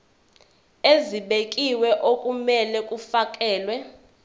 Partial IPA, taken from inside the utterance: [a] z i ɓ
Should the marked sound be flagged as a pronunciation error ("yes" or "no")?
yes